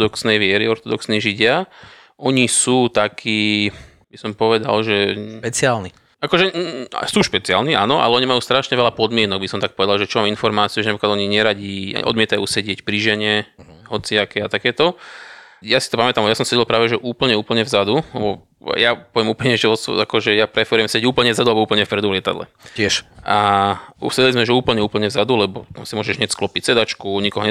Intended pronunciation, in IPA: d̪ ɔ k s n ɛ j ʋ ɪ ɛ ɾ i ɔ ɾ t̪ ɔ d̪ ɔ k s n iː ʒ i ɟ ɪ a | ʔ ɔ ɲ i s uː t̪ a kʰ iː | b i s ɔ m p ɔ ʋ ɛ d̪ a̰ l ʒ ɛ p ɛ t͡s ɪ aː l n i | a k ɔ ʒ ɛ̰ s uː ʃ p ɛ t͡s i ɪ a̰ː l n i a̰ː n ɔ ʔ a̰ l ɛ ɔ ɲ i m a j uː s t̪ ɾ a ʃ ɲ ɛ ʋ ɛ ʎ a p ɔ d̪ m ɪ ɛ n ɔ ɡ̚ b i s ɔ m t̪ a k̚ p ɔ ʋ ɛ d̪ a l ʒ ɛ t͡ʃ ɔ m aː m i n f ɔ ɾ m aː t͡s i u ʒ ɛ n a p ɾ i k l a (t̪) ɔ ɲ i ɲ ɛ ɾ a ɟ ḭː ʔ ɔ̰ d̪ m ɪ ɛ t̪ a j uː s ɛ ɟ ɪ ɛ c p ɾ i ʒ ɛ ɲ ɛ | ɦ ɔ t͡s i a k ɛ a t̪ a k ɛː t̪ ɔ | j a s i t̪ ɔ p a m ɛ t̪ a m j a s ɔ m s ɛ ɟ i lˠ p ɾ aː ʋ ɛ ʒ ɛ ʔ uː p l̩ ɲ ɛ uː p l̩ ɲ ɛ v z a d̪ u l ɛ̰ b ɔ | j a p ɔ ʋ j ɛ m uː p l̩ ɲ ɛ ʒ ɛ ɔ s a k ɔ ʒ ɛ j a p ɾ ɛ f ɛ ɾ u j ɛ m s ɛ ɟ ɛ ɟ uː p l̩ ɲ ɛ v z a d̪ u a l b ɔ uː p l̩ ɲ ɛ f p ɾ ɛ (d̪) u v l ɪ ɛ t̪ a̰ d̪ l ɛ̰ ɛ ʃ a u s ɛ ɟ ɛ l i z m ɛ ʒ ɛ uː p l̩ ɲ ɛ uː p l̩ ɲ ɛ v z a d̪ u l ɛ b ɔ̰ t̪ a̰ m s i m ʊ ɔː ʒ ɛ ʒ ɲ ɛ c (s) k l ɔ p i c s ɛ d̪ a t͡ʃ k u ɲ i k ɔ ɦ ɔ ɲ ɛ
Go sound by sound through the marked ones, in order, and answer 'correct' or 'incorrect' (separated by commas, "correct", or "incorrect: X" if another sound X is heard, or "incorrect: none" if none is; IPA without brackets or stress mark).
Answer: incorrect: d̪, correct, correct